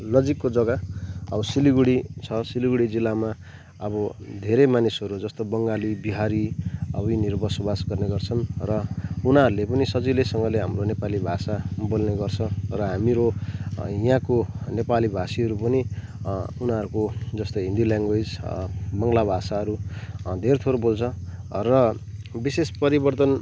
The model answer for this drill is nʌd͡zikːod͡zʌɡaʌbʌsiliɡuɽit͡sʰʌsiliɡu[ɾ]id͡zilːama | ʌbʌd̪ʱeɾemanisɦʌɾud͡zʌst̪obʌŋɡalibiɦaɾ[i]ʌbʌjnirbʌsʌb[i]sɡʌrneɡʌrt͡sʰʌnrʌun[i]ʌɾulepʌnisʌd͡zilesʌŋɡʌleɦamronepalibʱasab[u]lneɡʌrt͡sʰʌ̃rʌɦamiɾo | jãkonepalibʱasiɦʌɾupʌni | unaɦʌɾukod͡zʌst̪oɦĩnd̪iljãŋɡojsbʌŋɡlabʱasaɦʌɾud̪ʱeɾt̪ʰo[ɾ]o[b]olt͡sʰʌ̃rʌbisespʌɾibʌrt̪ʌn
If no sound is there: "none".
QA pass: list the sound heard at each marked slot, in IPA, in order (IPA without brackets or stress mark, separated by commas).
ɽ, i, a, a, o, ɾ, b